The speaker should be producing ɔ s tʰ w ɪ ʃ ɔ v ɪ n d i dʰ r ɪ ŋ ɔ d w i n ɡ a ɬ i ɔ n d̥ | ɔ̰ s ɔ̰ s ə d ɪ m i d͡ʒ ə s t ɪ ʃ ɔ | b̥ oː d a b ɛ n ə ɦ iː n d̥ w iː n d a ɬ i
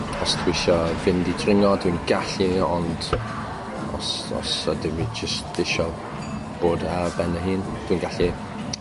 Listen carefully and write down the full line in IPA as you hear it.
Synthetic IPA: ɔ s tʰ w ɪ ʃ ɔ v ɪ n d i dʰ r ɪ ŋ ɔ d w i n ɡ a ɬ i ɔ n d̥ | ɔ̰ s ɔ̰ s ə d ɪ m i d͡ʒ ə s t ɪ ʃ ɔ | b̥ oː d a b ɛ n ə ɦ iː n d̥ w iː n ɡ a ɬ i